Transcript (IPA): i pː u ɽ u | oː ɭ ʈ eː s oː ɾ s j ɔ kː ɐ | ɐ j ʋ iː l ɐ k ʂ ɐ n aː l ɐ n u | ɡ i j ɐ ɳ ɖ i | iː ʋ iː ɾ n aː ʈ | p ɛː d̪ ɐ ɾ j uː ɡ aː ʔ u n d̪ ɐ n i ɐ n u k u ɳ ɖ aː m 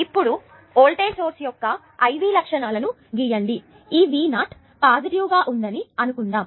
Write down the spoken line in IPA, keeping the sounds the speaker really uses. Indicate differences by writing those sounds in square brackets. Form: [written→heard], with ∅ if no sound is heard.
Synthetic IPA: i pː u ɽ u | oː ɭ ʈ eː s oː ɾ s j ɔ kː ɐ | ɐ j ʋ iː l ɐ k ʂ ɐ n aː l ɐ n u | ɡ i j ɐ ɳ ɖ i | iː ʋ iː [ɾ→∅] n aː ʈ | p [ɛː→aː] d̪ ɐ ɾ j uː ɡ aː ʔ u n d̪ ɐ n i ɐ n u k u ɳ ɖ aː m